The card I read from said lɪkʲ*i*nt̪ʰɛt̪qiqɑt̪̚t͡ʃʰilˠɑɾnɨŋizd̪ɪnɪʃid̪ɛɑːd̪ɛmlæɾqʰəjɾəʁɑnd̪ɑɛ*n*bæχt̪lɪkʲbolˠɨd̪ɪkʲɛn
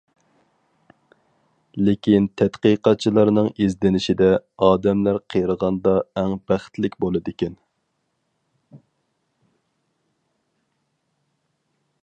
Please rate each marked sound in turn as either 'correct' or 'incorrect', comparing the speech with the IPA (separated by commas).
correct, incorrect